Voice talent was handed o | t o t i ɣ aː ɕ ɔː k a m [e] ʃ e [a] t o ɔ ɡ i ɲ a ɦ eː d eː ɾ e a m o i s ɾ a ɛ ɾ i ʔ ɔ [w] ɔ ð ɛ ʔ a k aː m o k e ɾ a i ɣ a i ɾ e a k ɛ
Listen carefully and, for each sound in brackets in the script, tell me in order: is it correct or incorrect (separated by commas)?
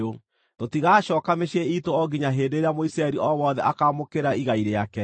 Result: correct, incorrect, correct